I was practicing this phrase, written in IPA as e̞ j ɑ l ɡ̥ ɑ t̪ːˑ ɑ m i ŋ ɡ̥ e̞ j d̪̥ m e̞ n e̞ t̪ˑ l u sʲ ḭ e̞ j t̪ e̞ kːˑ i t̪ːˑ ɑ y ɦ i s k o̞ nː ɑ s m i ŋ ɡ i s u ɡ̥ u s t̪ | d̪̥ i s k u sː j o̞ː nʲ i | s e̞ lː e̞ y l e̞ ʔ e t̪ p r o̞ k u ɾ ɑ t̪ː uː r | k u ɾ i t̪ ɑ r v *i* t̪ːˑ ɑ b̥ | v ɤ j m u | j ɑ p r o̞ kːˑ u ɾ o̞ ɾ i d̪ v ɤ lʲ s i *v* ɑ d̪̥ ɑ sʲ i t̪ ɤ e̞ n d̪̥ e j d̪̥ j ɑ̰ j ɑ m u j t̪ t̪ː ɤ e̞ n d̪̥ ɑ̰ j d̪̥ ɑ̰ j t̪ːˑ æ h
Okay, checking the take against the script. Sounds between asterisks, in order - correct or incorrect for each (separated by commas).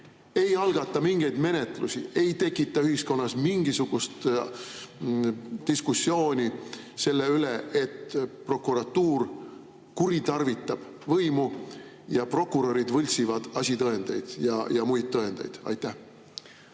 correct, correct